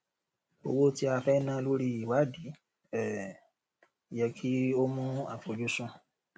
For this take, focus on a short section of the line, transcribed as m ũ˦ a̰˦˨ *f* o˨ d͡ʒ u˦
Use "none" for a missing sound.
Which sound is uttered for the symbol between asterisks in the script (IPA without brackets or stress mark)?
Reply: f